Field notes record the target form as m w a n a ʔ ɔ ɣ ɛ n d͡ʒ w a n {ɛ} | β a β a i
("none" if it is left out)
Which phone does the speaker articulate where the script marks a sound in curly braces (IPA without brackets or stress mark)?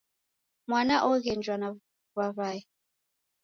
a